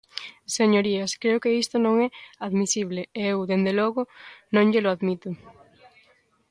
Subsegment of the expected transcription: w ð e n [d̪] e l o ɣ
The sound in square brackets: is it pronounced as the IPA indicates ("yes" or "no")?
yes